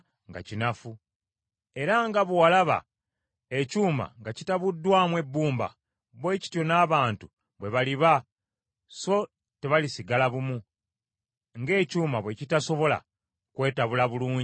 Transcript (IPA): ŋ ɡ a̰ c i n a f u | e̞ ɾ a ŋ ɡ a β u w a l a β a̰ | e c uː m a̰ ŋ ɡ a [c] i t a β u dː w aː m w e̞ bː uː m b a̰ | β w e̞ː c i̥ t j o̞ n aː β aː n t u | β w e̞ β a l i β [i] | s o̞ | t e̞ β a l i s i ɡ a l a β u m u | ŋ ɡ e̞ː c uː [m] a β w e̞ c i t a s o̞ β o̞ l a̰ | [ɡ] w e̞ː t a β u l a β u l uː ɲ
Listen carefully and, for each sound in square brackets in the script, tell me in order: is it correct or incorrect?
correct, incorrect, correct, incorrect

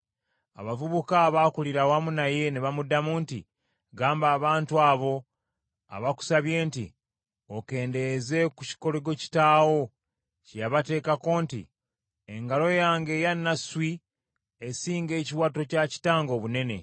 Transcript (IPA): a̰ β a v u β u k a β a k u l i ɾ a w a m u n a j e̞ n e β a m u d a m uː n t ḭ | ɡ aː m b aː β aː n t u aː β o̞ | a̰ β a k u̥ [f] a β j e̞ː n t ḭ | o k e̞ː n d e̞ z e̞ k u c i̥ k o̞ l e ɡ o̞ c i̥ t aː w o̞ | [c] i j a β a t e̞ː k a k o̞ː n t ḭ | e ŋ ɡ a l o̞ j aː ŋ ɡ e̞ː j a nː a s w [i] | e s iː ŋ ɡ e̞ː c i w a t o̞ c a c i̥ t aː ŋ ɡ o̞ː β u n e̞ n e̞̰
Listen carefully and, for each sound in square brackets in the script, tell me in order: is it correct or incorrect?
incorrect, correct, correct

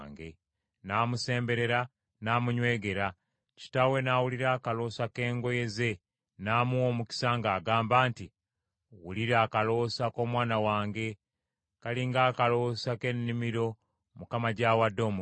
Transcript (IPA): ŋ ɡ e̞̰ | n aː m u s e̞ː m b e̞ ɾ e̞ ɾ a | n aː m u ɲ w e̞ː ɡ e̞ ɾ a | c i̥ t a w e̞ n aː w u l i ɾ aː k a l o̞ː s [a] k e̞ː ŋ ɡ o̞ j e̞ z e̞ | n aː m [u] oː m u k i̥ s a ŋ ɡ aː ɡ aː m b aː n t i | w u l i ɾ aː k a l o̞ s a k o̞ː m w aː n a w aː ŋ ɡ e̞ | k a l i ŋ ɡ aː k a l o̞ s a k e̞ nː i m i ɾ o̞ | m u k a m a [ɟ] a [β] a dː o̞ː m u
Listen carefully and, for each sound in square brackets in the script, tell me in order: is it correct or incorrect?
correct, correct, correct, incorrect

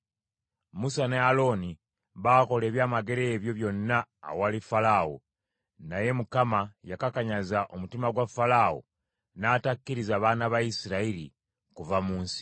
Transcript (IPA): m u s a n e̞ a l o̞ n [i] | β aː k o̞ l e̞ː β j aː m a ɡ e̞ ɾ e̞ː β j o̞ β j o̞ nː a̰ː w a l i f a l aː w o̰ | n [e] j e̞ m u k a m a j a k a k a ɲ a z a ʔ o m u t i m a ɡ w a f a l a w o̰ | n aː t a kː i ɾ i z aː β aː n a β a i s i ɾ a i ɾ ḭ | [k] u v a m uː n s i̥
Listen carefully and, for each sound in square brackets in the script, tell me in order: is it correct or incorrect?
correct, incorrect, correct

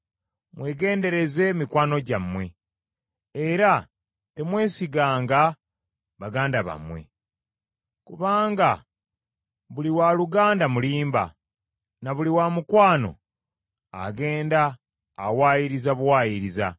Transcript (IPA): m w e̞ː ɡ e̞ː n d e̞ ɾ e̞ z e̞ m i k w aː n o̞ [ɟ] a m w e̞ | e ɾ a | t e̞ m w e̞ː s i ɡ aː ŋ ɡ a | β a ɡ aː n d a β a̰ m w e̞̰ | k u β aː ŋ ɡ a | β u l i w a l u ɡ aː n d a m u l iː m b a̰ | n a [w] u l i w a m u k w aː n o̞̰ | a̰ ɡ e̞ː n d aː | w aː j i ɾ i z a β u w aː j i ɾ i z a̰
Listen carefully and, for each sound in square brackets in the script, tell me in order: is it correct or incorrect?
correct, incorrect

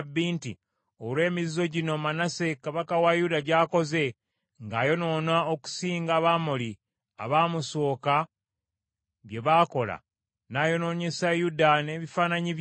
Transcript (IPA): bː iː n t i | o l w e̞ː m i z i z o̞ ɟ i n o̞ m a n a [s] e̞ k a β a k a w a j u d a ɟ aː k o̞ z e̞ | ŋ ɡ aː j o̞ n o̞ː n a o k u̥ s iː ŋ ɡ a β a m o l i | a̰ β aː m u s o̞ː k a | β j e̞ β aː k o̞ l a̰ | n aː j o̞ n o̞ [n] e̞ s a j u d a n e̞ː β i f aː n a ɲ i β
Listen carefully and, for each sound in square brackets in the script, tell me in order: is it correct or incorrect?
correct, incorrect

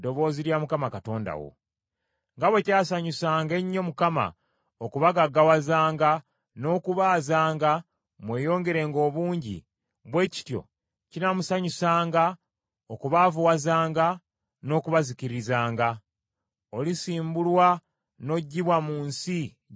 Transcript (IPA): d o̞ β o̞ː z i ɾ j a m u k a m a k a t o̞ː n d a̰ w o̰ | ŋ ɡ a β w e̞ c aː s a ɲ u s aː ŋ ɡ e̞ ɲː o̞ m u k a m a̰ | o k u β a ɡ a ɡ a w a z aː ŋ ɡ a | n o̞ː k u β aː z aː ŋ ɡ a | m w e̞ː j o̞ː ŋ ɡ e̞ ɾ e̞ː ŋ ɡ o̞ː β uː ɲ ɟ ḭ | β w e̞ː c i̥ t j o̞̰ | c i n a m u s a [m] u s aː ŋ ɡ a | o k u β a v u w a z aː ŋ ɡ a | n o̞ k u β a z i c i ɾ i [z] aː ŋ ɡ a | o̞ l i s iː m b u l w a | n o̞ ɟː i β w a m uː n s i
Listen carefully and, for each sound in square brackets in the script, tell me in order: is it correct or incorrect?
incorrect, correct

